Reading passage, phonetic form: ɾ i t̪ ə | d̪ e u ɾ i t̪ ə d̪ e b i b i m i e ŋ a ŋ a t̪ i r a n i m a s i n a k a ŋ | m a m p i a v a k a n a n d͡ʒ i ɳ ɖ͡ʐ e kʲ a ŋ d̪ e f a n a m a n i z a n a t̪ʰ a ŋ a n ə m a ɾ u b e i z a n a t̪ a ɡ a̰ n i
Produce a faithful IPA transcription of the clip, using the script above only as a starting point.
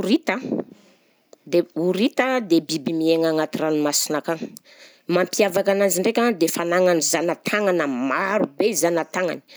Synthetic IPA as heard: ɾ i t̪ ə | d̪ e u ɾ i t̪ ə d̪ e b i b i m i e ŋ a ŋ a t̪ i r a n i m a s i n a k a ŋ | m a m p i a v a k a n a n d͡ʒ i ɳ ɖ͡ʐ e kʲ a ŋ d̪ e f a n a ŋ a n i z a n a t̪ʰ a ŋ a n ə m a ɾ u b e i z a n a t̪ a ŋ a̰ n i